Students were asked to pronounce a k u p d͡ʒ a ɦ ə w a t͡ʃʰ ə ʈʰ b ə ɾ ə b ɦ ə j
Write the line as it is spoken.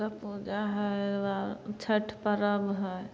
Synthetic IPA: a p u d͡ʒ a ɦ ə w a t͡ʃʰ ə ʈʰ p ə ɾ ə b ɦ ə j